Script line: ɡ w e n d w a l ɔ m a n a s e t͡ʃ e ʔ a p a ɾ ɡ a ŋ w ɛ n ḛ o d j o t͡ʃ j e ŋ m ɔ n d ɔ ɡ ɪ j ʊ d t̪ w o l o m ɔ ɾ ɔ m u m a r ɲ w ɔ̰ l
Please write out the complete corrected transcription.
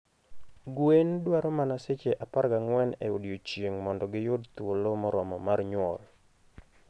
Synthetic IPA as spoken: ɡ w e n d w a ɾ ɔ m a n a s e t͡ʃ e ʔ a p a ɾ ɡ a ŋ w ɛ n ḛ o d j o t͡ʃ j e ŋ m ɔ n d ɔ ɡ ɪ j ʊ d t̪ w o l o m ɔ ɾ ɔ m ɔ m a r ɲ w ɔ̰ l